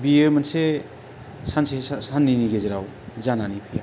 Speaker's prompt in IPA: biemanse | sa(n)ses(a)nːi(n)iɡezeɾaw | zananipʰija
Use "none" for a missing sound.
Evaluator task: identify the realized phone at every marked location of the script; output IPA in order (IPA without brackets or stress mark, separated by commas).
n, a, n